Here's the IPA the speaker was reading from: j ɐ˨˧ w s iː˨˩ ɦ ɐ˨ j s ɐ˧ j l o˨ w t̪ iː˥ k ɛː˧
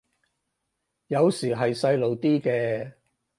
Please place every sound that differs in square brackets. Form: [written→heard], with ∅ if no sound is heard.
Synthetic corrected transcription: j ɐ˨˧ w s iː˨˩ ɦ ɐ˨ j s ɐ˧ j l o˨ w t̪ iː˥ k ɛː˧